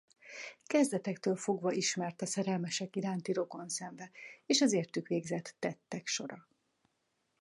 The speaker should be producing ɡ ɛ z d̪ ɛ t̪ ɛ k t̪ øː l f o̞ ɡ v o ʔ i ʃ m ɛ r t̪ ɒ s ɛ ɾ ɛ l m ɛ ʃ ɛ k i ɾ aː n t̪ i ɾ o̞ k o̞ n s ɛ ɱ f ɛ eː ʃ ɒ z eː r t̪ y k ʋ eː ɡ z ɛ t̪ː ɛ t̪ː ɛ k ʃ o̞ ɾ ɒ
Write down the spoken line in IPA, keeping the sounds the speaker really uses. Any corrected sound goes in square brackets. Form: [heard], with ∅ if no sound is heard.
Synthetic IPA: [k] ɛ z d̪ ɛ t̪ ɛ k t̪ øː l f o̞ ɡ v [ɒ] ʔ i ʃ m ɛ r t̪ ɒ s ɛ ɾ ɛ l m ɛ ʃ ɛ k i ɾ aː n t̪ i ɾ o̞ k o̞ n s ɛ ɱ [v] ɛ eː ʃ ɒ z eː r t̪ y k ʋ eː ɡ z ɛ t̪ː ɛ t̪ː ɛ k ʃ o̞ ɾ ɒ